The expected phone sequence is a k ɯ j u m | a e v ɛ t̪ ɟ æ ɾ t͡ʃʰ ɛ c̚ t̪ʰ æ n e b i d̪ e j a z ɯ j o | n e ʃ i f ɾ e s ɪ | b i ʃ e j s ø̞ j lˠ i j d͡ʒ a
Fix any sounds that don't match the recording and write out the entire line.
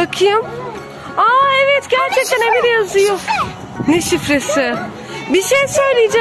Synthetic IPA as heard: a kʰ ɯ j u m | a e v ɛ t̪ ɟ æ ɾ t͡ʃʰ ɛ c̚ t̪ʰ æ n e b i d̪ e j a z ɯ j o | n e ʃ i f ɾ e s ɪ | b i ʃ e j s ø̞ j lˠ i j d͡ʒ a